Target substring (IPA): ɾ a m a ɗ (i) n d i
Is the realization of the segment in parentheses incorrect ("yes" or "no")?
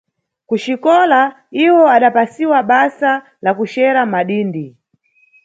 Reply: yes